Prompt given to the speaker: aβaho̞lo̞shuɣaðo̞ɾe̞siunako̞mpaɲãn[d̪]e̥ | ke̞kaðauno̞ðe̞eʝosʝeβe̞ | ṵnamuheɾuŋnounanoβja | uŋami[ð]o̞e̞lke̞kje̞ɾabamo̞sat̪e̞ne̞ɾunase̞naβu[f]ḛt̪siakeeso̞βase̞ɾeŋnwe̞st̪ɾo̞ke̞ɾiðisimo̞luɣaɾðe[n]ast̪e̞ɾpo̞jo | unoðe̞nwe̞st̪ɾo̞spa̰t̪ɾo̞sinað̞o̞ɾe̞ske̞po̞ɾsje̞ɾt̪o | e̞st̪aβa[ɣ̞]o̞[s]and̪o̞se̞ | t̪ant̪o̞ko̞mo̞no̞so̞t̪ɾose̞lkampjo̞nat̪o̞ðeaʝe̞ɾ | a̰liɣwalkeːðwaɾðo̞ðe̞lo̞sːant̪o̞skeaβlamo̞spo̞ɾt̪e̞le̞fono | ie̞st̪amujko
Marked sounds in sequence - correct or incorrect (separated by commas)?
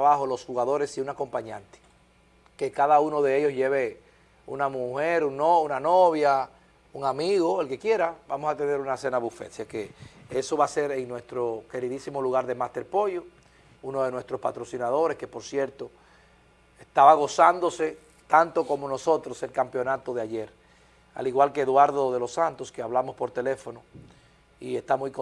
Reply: incorrect, incorrect, correct, incorrect, correct, correct